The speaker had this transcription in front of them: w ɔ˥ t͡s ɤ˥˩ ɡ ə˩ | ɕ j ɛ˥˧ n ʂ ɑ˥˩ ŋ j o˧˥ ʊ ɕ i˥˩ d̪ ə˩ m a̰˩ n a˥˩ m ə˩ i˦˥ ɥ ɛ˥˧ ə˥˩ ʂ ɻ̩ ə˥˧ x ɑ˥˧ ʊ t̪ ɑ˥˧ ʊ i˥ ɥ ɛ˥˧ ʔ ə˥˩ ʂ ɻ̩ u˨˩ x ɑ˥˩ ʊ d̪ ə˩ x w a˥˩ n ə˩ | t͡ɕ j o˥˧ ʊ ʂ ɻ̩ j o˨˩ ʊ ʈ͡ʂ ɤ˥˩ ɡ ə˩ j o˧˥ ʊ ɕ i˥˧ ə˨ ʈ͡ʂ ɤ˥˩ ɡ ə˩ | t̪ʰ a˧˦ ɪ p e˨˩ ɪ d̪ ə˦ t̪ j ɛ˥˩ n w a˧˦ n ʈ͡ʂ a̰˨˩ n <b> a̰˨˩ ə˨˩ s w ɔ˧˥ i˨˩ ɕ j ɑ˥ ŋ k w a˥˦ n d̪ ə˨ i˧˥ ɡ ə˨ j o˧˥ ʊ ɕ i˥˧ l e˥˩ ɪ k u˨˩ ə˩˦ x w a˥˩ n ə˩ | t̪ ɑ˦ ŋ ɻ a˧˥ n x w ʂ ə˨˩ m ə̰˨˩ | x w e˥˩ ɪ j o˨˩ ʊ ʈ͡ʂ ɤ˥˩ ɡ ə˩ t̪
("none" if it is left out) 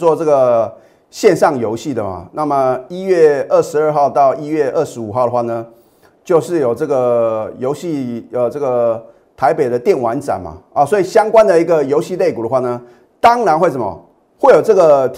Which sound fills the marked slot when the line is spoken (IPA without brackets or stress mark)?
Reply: m